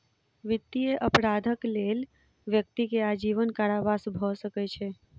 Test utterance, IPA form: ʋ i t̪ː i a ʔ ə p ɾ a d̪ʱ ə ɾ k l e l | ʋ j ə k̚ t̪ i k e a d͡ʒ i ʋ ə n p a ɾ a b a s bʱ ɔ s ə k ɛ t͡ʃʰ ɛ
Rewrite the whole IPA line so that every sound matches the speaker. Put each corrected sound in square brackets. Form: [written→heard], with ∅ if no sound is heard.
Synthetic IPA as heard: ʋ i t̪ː i [a→e] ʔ ə p ɾ a d̪ʱ ə [ɾ→∅] k l e l | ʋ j ə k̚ t̪ i k e a d͡ʒ i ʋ ə n [p→k] a ɾ a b a s bʱ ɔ s ə k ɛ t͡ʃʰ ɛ